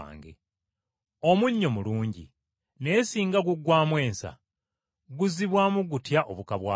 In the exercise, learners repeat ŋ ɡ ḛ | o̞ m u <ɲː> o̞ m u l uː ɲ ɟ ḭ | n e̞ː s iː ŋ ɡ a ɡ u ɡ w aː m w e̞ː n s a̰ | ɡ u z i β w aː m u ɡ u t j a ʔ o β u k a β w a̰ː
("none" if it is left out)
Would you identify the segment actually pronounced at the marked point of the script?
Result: ɲː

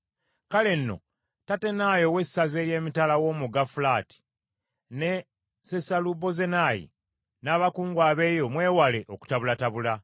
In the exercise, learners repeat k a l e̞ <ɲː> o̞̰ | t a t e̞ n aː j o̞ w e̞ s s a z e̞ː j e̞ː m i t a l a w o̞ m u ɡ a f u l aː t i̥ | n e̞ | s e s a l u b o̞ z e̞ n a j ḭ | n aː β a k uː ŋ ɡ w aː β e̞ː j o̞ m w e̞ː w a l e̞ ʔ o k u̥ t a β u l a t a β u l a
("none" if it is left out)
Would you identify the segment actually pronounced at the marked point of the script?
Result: nː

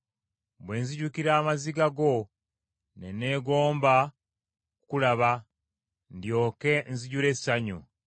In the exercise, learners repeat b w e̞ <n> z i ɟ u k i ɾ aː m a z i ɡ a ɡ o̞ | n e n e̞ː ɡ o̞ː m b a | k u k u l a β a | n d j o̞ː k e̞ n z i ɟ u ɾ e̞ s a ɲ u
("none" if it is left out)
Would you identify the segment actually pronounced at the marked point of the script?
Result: n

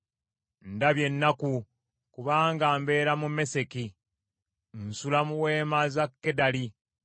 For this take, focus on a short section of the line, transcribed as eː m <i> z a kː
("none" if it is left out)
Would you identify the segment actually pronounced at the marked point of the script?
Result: a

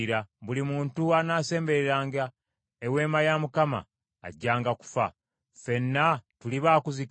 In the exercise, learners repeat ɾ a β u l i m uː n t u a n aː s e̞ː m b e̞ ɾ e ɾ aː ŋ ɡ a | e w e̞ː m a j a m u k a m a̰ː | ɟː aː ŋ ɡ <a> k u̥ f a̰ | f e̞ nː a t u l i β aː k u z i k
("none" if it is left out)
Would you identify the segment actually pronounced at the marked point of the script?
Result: a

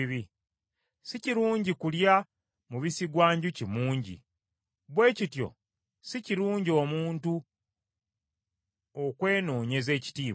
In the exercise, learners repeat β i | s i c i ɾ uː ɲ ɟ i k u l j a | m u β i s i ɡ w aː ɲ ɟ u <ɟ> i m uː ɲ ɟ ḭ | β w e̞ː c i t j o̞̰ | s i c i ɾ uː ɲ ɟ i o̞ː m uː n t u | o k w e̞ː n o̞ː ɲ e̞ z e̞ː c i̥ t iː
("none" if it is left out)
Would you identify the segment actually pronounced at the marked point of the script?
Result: c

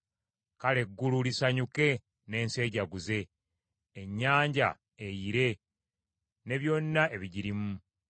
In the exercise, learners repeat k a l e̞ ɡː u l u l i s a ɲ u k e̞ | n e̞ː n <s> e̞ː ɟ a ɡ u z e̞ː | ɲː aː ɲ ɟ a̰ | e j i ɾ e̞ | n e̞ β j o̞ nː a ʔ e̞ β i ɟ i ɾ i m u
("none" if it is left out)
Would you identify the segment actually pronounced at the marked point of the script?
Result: s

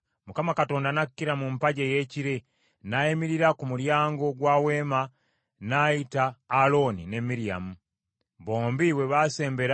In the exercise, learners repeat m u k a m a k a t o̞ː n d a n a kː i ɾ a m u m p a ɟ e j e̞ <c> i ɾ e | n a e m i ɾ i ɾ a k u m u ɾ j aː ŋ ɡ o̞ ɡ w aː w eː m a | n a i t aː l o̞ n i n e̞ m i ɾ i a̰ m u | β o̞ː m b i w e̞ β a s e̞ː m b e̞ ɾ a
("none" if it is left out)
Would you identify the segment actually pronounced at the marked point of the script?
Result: c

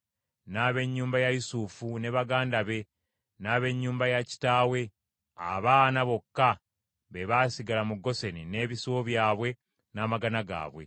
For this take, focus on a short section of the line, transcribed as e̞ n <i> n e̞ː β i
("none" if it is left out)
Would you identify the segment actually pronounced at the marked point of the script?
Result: i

